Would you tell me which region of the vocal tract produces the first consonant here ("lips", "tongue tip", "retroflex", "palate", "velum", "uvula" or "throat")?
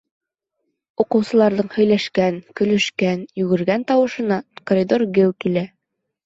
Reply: uvula